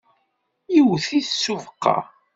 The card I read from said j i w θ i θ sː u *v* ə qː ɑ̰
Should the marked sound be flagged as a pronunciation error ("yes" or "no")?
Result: no